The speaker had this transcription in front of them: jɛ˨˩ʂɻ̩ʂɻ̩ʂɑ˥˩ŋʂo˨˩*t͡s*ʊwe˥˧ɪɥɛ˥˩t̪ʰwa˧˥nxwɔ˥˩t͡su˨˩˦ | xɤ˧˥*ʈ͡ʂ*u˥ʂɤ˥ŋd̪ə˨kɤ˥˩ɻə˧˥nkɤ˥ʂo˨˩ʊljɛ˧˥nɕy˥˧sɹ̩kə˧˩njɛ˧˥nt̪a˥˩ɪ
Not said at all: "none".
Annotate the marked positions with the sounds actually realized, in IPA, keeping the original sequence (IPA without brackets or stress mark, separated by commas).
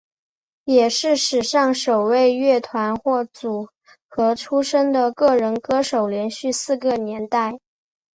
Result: none, ʈ͡ʂʰ